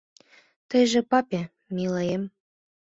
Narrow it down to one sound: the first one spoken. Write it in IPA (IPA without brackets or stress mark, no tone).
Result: t̪